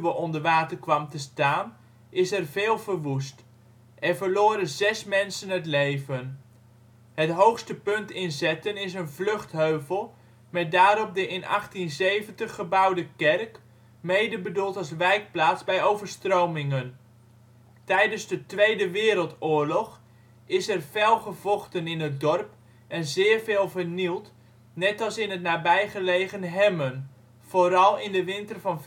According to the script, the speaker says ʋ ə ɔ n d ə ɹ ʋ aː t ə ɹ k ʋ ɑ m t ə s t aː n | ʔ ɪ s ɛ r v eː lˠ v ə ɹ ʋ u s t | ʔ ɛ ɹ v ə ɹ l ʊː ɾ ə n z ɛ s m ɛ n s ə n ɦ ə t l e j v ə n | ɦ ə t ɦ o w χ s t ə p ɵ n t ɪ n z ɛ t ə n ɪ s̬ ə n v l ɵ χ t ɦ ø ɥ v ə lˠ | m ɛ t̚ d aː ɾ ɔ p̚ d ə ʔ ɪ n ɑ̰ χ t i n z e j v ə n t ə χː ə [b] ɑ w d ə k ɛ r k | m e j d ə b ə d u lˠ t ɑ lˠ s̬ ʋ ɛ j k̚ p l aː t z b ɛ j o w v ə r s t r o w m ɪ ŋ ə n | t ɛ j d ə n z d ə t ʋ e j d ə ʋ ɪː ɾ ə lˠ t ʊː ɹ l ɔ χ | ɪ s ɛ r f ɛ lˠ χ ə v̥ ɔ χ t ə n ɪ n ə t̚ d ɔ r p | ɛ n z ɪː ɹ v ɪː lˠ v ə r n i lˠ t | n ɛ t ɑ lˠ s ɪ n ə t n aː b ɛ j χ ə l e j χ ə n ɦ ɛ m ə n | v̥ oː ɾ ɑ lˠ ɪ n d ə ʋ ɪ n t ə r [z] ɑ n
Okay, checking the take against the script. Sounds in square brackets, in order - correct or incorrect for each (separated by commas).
correct, incorrect